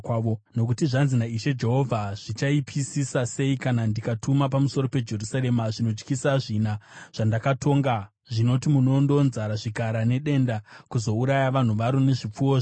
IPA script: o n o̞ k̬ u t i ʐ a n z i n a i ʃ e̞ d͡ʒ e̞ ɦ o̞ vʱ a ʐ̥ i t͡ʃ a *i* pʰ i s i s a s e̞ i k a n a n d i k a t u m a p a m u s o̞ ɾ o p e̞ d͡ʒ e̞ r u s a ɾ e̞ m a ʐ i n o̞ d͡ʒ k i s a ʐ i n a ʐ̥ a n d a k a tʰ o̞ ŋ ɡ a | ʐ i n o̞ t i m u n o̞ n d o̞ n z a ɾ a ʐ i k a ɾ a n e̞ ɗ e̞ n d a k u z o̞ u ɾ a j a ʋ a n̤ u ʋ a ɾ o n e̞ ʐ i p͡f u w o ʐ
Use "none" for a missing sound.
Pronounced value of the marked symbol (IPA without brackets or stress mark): i